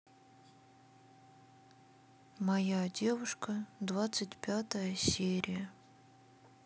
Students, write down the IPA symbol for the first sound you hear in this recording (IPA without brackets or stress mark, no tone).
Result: m